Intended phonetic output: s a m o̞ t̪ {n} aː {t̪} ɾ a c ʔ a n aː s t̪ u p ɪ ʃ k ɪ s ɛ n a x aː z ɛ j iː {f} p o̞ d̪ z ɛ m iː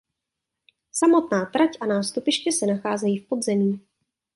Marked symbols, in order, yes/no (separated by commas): yes, yes, yes